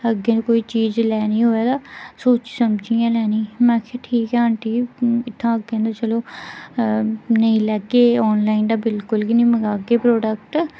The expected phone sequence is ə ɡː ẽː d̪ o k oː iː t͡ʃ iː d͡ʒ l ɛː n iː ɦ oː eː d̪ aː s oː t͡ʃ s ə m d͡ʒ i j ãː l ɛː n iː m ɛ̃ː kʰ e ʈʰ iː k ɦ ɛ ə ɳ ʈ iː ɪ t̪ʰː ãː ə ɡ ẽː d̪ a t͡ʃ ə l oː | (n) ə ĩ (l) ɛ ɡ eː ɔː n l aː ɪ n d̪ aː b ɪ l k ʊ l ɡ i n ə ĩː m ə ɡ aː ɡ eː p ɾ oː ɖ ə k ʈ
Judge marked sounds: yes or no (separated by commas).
yes, yes